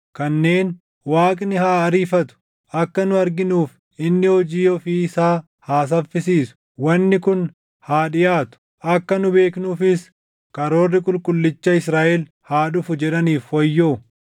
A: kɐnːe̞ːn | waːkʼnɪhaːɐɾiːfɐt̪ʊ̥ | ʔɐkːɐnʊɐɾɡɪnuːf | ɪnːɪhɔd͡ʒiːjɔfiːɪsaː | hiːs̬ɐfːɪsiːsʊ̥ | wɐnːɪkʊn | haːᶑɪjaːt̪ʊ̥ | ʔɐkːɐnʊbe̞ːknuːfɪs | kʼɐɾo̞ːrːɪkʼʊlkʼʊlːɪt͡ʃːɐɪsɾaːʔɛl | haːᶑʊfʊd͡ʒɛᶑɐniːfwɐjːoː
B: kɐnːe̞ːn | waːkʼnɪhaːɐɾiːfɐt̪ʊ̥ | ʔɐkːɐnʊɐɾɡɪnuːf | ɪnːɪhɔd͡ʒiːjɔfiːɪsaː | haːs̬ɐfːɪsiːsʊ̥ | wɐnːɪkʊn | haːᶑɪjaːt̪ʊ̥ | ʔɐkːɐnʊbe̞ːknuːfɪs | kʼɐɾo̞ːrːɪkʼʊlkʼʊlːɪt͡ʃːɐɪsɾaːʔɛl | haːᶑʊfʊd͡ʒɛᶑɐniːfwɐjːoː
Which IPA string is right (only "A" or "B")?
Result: B